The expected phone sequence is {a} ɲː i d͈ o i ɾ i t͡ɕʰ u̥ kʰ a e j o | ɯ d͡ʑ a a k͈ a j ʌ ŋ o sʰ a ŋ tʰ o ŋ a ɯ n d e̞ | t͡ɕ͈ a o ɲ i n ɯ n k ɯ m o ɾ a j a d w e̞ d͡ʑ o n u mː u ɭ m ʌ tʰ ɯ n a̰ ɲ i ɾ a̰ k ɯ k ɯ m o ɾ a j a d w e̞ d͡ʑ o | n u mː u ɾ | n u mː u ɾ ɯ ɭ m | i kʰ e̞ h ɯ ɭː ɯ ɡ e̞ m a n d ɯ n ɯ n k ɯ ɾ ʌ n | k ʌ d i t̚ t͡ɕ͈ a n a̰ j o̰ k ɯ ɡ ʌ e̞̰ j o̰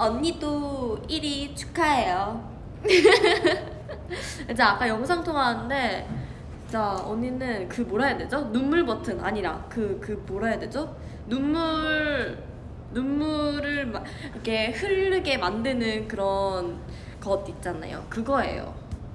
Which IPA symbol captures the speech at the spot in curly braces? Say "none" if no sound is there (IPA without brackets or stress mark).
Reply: ʌ